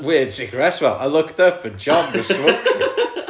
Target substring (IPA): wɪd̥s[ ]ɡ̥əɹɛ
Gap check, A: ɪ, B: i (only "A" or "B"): A